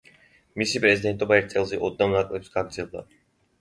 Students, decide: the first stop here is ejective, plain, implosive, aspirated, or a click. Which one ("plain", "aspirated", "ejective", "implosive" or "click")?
ejective